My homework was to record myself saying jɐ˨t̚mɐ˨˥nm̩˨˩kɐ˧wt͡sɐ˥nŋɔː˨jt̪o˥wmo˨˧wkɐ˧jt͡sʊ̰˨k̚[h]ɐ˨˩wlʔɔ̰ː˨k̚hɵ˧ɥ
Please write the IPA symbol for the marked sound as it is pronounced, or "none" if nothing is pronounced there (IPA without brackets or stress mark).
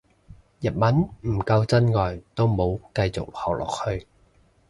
h